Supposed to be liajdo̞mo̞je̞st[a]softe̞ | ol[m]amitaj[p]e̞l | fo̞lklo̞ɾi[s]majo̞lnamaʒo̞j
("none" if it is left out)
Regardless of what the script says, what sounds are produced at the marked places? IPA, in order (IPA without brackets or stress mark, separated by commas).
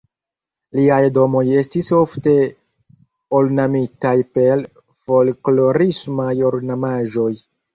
i, n, p, s